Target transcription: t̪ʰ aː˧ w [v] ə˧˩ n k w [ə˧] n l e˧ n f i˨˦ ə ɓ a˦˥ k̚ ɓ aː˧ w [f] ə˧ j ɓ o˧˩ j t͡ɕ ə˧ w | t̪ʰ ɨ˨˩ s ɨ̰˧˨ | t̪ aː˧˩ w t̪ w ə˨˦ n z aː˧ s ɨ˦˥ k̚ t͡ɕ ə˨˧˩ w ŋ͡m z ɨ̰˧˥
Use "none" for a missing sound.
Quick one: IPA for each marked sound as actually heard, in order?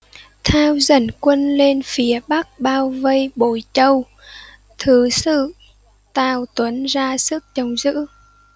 z, ə˧, v

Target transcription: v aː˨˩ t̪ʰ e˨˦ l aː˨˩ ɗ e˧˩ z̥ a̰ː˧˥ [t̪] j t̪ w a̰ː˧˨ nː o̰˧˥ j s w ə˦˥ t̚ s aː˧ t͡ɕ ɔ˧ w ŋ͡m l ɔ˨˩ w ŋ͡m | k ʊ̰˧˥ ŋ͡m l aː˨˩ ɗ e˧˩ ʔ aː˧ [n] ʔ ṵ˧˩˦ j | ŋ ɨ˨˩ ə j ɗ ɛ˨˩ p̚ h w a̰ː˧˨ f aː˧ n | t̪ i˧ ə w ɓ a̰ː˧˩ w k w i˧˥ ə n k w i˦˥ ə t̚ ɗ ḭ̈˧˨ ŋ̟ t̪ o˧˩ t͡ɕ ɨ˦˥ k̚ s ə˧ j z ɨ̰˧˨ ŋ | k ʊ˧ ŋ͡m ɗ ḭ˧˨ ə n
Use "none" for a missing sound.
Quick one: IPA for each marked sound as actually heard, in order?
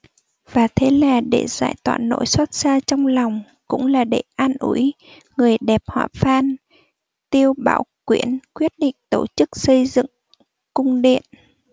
none, n

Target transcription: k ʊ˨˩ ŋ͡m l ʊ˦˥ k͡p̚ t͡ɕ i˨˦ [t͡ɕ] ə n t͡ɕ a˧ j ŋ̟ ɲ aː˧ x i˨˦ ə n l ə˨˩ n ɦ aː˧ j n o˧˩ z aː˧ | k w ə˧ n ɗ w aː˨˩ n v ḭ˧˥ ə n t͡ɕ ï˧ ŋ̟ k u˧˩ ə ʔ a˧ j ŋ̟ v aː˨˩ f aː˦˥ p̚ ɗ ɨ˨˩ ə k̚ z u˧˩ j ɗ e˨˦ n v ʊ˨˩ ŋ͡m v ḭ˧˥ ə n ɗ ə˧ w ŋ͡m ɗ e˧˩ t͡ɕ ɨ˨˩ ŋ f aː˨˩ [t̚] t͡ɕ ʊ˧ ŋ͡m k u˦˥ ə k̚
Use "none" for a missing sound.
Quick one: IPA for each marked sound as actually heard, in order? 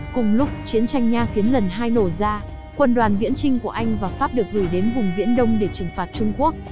none, t̚

